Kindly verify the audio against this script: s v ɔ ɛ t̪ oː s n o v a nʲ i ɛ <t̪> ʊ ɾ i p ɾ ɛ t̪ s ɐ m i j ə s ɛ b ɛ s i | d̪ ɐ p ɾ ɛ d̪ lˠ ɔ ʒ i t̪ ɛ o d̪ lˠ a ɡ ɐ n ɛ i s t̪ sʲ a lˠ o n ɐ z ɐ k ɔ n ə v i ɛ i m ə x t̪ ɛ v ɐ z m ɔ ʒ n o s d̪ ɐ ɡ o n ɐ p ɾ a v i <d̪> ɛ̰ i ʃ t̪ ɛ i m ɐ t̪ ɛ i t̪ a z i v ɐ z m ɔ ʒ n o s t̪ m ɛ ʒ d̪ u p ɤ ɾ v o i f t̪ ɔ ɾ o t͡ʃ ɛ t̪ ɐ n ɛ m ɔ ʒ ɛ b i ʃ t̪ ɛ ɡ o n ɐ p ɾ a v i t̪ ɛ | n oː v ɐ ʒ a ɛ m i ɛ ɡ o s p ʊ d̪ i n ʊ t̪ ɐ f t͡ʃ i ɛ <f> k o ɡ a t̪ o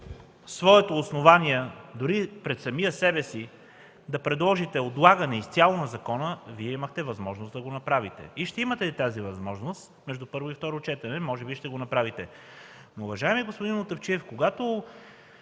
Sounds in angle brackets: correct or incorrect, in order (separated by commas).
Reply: incorrect, incorrect, correct